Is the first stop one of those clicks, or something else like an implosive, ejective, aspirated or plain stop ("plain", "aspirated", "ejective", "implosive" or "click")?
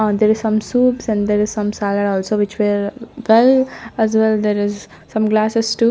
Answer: plain